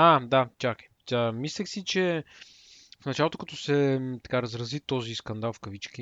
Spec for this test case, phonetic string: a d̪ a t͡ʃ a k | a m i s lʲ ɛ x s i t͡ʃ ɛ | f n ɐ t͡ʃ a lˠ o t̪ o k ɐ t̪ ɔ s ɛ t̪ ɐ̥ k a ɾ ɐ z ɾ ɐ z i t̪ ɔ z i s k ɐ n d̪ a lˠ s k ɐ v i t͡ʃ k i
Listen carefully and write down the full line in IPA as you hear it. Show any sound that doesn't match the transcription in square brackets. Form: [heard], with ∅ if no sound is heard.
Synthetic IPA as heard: a d̪ a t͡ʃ a k | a m i s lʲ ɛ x s i t͡ʃ ɛ | f n ɐ t͡ʃ a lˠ o t̪ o k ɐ t̪ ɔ s ɛ t̪ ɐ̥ k a ɾ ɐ z ɾ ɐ z i t̪ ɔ z i s k ɐ n d̪ a lˠ [f] k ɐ v i t͡ʃ k i